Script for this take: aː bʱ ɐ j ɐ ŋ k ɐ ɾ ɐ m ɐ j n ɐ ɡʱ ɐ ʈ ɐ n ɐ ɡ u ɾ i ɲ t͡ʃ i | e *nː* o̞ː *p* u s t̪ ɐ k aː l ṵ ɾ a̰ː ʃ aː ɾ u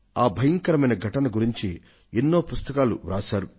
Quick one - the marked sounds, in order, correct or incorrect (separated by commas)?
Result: correct, correct